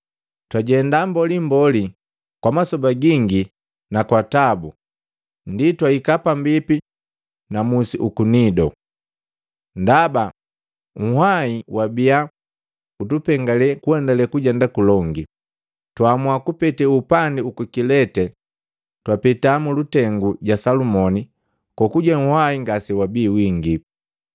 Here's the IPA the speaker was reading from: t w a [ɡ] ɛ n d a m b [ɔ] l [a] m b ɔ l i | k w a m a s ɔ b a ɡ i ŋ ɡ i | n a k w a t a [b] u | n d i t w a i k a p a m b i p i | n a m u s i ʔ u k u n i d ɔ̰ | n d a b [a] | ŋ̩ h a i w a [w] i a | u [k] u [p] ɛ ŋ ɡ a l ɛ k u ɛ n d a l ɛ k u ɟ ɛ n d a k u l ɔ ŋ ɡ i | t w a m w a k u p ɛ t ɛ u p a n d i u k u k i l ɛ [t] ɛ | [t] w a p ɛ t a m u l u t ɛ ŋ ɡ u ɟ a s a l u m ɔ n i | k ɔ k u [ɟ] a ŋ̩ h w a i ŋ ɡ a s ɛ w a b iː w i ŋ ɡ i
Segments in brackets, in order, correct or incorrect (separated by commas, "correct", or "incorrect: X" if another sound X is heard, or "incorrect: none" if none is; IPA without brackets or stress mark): incorrect: ɟ, correct, incorrect: i, correct, correct, incorrect: b, incorrect: t, correct, correct, correct, correct